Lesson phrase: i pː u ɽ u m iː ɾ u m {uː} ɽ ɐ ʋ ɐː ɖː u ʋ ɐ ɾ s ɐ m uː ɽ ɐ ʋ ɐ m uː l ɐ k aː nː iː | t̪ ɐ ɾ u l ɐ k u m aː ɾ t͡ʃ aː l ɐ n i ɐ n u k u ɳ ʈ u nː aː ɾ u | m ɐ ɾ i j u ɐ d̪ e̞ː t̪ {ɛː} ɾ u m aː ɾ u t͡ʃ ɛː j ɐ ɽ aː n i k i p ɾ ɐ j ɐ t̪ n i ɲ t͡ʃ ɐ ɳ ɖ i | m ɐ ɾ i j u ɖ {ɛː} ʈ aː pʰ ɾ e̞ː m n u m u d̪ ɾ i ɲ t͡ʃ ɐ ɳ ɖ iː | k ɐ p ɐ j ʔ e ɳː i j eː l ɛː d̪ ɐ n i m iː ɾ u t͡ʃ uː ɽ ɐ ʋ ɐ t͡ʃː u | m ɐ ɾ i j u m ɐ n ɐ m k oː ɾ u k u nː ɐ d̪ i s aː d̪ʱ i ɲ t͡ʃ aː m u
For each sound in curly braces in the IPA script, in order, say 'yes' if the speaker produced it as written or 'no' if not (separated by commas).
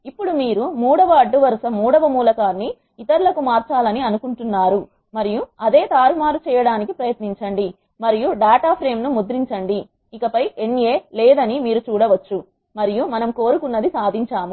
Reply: yes, no, no